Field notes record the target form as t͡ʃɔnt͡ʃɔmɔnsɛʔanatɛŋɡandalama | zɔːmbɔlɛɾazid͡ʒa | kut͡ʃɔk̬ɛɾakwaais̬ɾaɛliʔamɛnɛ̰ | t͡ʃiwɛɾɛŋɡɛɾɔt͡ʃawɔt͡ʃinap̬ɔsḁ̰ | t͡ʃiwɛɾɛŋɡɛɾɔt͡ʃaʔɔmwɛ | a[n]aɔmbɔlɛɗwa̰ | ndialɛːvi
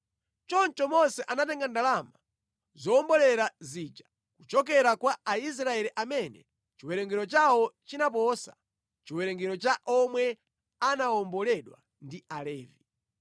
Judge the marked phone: correct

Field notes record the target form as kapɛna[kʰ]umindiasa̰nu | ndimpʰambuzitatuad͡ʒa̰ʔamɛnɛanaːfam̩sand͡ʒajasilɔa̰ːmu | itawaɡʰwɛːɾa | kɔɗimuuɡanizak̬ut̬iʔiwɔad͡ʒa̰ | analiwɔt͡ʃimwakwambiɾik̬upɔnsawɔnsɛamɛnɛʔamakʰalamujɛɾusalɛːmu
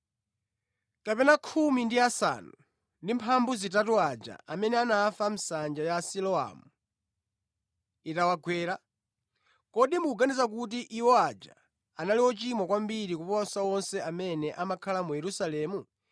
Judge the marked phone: correct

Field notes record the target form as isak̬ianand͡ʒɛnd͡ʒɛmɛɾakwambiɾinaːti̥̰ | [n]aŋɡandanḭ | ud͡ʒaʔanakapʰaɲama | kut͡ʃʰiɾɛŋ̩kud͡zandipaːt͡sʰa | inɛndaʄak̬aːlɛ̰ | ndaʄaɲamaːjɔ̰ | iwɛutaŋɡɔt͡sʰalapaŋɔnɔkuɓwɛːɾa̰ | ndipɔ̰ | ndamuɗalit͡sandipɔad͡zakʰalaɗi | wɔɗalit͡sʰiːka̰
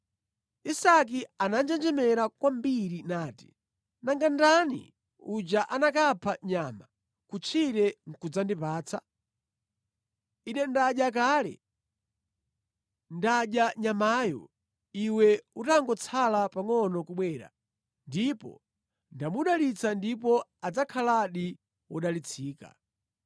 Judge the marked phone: correct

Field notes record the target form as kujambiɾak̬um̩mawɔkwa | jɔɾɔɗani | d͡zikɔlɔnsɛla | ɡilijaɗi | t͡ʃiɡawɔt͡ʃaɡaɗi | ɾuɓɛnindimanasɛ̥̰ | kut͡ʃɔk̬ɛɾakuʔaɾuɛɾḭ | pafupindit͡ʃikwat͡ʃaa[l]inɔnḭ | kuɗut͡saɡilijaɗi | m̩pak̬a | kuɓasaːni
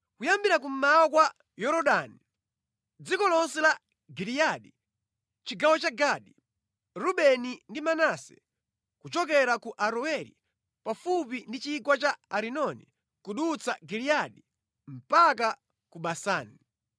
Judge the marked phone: incorrect: ɾ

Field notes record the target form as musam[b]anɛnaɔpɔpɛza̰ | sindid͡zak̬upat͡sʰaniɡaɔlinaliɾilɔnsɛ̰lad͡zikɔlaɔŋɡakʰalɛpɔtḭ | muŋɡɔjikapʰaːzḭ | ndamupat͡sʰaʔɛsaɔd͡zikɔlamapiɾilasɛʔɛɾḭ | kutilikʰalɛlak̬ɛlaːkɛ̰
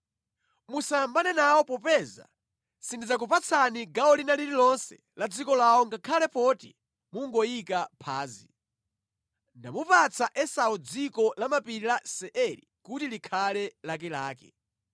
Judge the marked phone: correct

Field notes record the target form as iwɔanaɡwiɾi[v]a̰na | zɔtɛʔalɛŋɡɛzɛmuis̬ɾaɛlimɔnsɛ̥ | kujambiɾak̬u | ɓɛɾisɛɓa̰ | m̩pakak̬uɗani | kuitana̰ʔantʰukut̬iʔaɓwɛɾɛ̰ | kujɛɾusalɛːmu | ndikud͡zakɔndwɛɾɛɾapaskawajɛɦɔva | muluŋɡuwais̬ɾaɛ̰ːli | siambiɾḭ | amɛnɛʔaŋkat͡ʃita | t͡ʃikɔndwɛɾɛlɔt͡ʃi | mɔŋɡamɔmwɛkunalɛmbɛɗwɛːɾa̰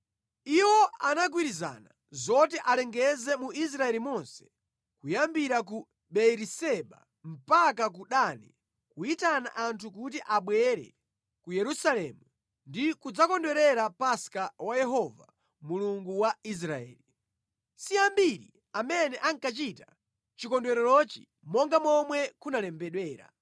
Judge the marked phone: incorrect: z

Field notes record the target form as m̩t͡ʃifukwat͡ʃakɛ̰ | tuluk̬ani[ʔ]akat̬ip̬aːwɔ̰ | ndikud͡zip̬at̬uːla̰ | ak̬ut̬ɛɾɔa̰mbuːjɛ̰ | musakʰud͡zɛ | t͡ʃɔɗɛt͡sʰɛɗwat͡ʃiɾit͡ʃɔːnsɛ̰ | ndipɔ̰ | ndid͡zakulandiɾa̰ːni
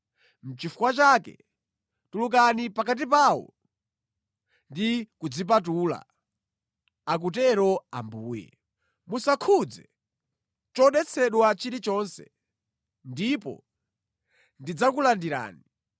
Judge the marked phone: incorrect: p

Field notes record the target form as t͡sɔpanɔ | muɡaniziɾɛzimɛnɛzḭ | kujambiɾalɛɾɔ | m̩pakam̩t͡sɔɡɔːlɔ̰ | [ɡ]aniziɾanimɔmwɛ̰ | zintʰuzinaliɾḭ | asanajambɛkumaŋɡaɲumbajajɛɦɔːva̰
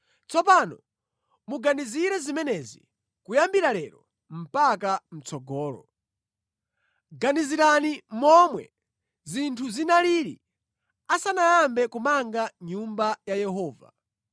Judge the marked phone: correct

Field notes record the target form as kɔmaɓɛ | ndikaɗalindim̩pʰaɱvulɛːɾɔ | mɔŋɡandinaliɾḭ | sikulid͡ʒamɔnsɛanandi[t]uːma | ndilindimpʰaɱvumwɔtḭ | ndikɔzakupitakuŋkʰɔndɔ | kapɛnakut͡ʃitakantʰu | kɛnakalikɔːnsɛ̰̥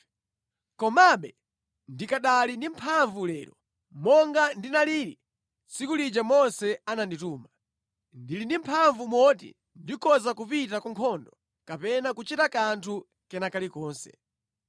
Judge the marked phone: correct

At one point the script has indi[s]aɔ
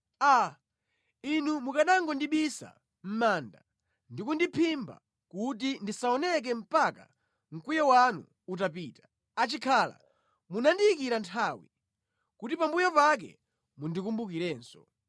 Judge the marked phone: correct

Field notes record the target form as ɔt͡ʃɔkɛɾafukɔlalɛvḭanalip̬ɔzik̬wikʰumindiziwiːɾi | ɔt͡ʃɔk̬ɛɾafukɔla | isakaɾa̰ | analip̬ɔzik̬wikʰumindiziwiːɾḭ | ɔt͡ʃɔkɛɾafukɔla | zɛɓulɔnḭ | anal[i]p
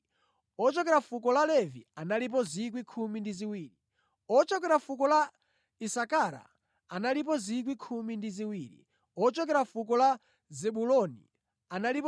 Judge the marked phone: correct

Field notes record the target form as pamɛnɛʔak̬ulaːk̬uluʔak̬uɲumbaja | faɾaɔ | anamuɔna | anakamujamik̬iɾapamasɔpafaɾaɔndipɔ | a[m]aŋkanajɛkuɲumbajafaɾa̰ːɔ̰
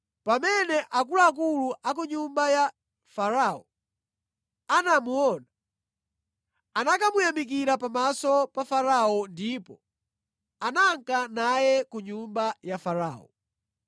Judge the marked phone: incorrect: n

